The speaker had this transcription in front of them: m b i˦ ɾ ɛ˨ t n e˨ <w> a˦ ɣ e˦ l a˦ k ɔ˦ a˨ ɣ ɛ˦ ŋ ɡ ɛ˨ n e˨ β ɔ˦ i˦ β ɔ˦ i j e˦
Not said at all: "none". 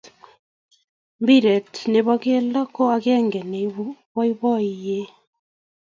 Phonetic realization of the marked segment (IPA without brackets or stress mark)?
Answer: β